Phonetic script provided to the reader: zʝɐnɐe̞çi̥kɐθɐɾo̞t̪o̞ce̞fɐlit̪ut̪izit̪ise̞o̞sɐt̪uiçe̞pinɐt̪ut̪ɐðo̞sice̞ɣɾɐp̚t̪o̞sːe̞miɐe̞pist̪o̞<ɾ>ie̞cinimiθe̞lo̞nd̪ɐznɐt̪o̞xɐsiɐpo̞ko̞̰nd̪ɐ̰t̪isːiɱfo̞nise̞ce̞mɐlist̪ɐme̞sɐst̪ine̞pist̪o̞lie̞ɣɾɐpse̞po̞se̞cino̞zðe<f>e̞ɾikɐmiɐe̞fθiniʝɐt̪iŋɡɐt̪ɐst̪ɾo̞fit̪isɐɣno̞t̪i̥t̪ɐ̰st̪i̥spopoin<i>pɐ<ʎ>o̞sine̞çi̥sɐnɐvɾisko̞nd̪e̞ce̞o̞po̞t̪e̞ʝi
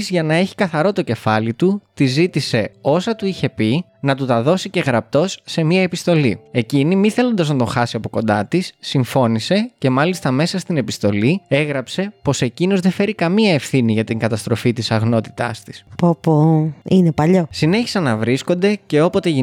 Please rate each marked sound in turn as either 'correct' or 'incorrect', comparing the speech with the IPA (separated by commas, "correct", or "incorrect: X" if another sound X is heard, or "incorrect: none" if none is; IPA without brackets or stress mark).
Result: incorrect: l, correct, incorrect: e, correct